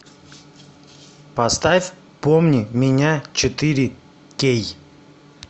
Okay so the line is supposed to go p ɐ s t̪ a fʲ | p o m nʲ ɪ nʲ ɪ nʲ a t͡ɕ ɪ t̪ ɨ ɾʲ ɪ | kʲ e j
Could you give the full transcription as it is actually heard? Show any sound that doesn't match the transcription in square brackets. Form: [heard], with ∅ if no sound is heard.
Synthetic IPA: p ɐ s t̪ a fʲ | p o m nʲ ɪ [mʲ] ɪ nʲ a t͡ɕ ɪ t̪ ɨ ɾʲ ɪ | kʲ e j